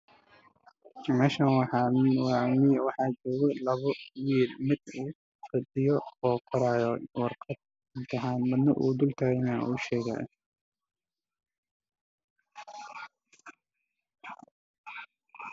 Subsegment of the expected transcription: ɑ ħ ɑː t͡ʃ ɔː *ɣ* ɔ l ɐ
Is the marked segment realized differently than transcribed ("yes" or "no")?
no